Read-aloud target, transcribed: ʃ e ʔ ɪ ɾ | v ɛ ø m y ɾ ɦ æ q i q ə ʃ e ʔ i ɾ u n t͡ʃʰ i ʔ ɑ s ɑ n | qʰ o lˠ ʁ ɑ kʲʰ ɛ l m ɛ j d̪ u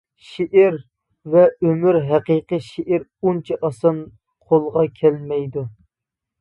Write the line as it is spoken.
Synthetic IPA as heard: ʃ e ʔ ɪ ɾ | v ɛ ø m y ɾ ɦ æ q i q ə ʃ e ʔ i ɾ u n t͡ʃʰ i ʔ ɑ s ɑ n | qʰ o lˠ ʁ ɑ kʲʰ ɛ l m ɛ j d̪ u